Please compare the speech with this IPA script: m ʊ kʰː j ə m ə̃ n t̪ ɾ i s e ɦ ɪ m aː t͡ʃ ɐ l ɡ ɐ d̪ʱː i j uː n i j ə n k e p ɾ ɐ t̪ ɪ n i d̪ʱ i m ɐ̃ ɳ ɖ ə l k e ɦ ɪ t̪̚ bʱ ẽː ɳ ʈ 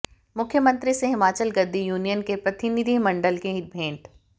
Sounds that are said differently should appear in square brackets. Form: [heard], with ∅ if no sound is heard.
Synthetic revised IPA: m ʊ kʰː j ə m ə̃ n t̪ ɾ i s e ɦ ɪ m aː t͡ʃ [ə] l ɡ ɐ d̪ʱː i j uː n i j ə n k e p ɾ ɐ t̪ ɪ n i d̪ʱ i m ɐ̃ ɳ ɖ ə l k e ɦ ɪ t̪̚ bʱ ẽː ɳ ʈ